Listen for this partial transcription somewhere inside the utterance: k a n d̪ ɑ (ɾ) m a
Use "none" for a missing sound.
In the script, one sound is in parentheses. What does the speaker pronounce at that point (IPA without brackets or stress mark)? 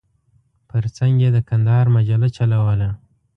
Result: ɾ